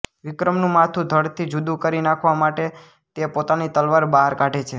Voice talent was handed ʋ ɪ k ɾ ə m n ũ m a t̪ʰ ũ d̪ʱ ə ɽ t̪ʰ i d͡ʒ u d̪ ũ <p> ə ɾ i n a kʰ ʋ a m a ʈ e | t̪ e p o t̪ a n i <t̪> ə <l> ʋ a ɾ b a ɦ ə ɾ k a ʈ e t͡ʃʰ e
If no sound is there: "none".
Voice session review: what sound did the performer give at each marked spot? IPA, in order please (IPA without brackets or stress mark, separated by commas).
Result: k, t̪, l